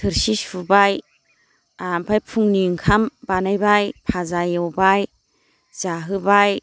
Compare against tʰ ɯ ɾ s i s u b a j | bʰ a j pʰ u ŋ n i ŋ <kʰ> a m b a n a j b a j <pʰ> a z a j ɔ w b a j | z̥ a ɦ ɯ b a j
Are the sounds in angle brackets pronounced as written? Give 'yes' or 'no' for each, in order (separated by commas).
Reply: yes, yes